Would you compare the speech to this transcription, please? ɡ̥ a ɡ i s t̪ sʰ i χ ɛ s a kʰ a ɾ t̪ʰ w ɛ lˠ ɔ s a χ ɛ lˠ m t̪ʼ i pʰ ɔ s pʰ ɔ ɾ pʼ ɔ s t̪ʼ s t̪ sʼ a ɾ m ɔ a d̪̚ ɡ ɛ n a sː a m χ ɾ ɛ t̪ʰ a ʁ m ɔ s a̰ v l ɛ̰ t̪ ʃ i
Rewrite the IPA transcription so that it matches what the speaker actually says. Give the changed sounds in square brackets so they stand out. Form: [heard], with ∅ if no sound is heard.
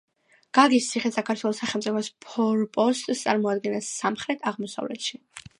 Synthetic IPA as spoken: ɡ̥ a ɡ i s t̪ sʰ i χ ɛ s a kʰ a ɾ t̪ʰ w ɛ lˠ ɔ s a χ ɛ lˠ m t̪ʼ i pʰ ɔ s pʰ ɔ ɾ pʼ ɔ s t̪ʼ s t̪ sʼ a ɾ m ɔ a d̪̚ ɡ ɛ n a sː a m χ ɾ ɛ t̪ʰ a ʁ m ɔ s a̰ v l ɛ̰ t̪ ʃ i